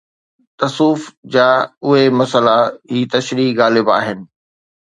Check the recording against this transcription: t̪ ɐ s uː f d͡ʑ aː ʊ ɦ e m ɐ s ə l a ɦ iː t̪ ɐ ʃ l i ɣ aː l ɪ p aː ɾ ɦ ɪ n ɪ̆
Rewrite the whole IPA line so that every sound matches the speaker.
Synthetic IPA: t̪ ɐ s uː f d͡ʑ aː ʊ ɦ e m ɐ s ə l a ɦ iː t̪ ɐ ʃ ɾ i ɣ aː l ɪ b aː ɦ ɪ n ɪ̆